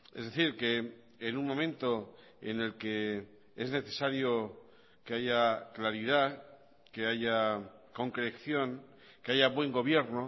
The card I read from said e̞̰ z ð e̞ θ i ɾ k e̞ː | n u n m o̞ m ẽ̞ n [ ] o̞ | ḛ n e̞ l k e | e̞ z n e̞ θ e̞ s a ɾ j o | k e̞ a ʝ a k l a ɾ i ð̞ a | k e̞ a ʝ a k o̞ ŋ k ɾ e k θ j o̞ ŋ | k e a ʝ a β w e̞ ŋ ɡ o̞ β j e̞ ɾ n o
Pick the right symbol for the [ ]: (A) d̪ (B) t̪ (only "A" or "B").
B